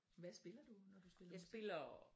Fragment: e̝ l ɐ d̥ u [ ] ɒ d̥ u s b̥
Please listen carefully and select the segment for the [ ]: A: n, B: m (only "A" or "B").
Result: A